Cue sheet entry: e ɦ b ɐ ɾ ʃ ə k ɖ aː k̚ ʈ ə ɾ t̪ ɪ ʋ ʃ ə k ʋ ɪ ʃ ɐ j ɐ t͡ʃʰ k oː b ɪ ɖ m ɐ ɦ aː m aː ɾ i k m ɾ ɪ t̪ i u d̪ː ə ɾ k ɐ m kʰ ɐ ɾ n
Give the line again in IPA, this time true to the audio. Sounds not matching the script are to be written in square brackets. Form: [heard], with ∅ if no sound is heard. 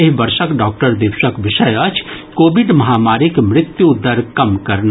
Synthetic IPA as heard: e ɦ b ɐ ɾ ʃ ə k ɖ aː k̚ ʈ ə ɾ [d̪] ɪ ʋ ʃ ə k ʋ ɪ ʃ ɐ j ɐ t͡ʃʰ k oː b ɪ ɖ m ɐ ɦ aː m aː ɾ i k m ɾ ɪ t̪ [j] u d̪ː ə ɾ k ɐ m [k] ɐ ɾ n